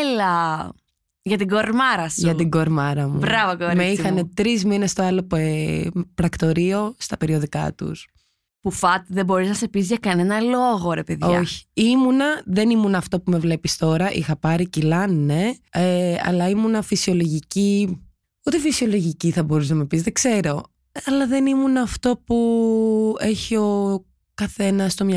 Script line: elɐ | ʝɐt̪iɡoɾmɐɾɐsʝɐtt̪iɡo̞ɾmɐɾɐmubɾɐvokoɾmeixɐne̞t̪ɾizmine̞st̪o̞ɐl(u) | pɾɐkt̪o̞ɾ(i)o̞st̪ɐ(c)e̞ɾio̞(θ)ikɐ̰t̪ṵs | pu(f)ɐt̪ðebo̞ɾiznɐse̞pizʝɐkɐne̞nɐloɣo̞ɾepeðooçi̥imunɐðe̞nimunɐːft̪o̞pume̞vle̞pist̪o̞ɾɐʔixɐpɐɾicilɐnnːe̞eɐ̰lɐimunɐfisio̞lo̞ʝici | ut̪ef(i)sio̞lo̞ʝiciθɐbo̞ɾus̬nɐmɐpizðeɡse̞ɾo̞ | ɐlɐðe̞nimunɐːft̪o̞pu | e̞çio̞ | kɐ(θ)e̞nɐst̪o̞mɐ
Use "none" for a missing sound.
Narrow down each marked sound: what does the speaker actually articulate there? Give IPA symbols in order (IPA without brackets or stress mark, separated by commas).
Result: o, i, p, ð, f, i, θ